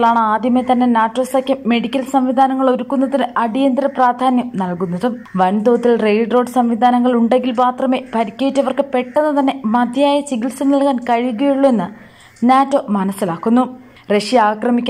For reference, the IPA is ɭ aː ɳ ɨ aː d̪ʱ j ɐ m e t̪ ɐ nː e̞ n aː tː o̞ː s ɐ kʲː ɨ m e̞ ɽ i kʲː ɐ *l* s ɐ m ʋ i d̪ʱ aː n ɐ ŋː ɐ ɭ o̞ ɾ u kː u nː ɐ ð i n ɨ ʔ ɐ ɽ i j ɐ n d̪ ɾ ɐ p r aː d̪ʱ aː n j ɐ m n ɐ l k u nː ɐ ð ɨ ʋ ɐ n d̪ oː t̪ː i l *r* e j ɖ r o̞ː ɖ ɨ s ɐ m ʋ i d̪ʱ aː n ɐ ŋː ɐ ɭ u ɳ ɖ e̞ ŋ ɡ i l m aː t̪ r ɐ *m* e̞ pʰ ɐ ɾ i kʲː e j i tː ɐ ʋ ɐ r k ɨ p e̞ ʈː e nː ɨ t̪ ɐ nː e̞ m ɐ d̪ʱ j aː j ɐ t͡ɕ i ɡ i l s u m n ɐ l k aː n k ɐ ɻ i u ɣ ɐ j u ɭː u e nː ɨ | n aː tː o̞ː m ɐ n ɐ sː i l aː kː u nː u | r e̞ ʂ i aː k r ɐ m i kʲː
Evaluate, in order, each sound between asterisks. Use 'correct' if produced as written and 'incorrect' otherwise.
correct, correct, correct

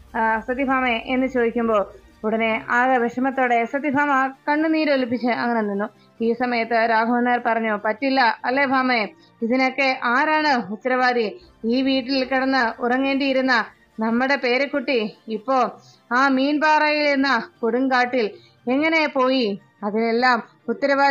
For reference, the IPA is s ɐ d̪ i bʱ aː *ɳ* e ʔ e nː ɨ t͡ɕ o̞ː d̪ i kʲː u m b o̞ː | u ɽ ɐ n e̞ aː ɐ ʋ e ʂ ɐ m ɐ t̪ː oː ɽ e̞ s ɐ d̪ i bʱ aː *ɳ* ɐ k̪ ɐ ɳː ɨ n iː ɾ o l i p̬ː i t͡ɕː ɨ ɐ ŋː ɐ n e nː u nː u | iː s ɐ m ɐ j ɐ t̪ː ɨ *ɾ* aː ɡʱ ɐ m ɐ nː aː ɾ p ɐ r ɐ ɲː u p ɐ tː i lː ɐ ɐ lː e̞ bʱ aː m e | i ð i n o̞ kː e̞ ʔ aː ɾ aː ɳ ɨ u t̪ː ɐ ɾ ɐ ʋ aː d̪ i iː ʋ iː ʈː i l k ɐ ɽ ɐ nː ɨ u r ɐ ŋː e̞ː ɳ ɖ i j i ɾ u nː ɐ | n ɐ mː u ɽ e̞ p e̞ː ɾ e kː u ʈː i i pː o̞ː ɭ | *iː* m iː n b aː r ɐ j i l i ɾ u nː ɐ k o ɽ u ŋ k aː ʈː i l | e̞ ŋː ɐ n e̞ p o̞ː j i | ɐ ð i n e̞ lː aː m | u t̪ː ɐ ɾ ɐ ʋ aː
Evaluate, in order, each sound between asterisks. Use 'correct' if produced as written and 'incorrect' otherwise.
incorrect: m, incorrect: m, correct, incorrect: aː

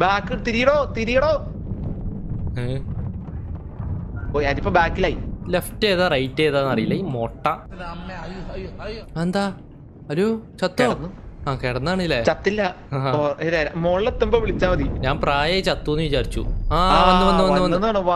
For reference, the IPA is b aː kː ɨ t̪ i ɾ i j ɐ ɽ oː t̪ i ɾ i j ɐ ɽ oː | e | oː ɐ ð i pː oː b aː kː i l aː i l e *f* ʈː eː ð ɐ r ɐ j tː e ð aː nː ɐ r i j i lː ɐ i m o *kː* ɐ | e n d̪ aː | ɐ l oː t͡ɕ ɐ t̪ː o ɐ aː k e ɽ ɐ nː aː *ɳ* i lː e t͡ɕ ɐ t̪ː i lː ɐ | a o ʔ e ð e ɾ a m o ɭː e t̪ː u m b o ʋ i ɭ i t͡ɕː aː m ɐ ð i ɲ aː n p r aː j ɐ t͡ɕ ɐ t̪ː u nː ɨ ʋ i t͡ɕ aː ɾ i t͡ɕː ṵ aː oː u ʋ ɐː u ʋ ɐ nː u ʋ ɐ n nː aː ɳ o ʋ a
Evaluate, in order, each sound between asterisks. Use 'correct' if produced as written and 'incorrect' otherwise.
correct, incorrect: ʈː, correct

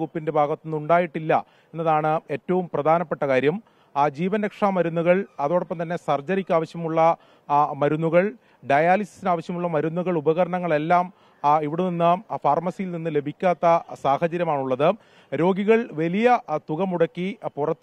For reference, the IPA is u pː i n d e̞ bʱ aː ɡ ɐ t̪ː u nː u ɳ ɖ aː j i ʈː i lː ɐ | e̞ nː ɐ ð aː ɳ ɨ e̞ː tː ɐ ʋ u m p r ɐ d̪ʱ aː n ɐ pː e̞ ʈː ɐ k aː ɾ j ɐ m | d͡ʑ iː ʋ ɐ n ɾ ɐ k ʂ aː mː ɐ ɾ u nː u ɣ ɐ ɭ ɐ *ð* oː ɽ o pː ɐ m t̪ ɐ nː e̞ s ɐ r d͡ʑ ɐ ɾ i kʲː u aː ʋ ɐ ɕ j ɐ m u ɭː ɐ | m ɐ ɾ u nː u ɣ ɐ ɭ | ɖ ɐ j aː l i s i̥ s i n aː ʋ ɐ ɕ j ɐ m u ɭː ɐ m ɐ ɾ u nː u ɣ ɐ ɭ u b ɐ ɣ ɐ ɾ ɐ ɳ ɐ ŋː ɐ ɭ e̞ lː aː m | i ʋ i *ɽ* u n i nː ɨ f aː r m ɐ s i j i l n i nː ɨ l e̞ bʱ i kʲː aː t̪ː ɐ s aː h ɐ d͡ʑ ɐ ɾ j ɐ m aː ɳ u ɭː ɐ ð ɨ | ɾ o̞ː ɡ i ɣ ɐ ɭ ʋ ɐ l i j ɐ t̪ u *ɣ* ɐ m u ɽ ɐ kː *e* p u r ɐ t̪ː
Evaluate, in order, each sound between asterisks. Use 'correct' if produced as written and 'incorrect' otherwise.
correct, correct, correct, incorrect: i

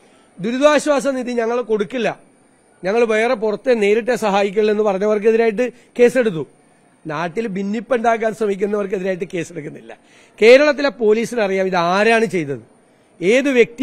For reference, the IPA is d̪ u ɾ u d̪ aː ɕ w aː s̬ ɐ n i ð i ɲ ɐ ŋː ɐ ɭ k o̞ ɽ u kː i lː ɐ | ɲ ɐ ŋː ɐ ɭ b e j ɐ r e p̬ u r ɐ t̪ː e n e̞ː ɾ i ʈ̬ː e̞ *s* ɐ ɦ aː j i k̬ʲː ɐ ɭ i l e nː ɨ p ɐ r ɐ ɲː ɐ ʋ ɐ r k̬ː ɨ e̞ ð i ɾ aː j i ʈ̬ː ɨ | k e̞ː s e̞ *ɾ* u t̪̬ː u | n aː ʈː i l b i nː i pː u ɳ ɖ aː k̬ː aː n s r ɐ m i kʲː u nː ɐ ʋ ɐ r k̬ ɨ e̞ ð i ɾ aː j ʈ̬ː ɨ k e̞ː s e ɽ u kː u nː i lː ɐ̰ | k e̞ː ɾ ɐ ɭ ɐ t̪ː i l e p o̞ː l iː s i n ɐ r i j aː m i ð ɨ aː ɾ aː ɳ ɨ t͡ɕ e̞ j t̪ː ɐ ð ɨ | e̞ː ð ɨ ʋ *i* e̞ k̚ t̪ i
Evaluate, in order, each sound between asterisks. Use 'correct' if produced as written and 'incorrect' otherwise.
correct, incorrect: ɽ, incorrect: j

